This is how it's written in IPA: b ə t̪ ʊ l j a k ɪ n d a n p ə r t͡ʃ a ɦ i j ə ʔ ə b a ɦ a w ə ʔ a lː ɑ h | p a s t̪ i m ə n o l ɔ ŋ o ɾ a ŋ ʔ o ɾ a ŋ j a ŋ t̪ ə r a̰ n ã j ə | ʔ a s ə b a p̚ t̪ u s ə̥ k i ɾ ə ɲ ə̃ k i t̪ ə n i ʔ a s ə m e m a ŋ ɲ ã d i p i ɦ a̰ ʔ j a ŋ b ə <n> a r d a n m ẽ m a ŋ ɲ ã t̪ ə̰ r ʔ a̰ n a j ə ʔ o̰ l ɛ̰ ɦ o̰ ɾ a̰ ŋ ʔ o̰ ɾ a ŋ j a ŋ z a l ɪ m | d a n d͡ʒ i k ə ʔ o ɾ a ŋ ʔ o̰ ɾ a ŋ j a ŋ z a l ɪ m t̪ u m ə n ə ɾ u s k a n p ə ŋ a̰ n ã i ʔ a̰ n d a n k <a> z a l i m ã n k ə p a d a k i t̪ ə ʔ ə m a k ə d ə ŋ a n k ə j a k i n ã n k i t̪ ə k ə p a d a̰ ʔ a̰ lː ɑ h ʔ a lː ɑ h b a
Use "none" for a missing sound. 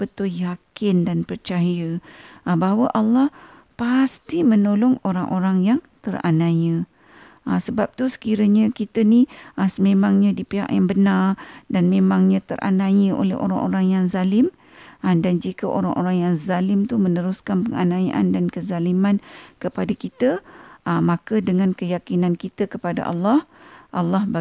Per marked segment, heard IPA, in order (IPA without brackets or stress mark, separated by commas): n, ə